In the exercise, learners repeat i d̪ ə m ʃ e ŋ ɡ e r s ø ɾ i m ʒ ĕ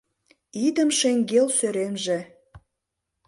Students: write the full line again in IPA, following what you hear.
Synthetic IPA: i d̪ ə m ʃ e ŋ ɡ e l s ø ɾ e m ʒ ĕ